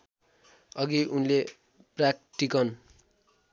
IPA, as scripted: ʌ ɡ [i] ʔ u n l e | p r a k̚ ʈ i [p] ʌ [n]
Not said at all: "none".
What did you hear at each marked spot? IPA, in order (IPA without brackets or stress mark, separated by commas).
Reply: i, k, n